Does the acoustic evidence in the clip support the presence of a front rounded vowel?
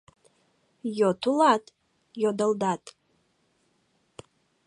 no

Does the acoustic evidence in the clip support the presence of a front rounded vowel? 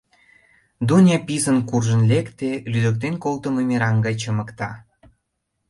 yes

